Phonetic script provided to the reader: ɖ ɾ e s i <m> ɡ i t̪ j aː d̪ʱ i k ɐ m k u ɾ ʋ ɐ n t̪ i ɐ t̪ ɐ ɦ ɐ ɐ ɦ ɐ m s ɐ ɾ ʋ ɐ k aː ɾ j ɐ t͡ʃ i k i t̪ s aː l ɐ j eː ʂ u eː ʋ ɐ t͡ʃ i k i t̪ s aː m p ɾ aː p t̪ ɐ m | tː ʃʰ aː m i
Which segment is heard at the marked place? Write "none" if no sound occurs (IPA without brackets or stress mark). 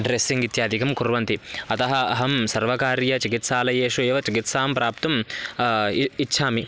ŋ